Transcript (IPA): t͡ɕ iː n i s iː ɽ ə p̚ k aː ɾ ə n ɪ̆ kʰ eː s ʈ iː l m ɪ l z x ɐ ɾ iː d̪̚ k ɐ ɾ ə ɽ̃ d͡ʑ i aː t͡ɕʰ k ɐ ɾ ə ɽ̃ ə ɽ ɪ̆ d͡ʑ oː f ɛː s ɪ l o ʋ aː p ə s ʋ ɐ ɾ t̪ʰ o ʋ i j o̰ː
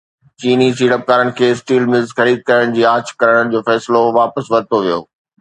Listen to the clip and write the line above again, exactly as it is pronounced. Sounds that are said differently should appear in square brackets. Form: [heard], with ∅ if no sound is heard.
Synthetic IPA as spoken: t͡ɕ iː n i s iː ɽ ə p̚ k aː ɾ ə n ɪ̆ kʰ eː s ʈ iː l m ɪ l z x ɐ ɾ iː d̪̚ k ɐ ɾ ə ɽ̃ d͡ʑ [iː] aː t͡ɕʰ k ɐ ɾ ə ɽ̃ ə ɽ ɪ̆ d͡ʑ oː f ɛː s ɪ l o ʋ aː p ə s ʋ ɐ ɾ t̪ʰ o ʋ i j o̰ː